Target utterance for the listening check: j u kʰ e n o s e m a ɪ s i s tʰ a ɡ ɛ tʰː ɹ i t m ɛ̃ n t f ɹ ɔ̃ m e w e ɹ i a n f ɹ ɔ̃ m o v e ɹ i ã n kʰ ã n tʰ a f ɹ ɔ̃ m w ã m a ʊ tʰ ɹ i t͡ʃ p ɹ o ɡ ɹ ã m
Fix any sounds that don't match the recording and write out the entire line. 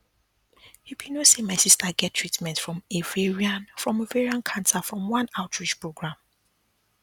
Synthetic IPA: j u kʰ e n o s e m a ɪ s i s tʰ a ɡ ɛ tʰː ɹ i t m ɛ̃ n t f ɹ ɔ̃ m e v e ɹ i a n f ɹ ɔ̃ m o v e ɹ i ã n kʰ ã n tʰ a f ɹ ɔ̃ m w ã n a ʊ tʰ ɹ i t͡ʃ p ɹ o ɡ ɹ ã m